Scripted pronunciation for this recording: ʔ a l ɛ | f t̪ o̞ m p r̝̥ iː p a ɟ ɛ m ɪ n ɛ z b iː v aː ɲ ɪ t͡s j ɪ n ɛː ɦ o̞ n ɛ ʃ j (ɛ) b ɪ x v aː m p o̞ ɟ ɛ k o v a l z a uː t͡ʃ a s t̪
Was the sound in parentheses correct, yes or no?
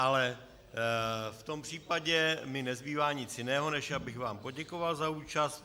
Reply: no